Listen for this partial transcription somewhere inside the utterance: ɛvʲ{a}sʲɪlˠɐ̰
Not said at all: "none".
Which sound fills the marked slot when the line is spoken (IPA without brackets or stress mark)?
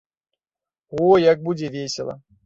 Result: e